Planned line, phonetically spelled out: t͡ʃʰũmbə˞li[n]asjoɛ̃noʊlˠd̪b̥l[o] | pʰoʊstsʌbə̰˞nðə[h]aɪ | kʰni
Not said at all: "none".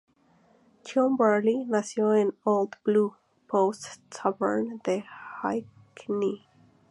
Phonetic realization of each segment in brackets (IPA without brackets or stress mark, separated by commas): n, u, h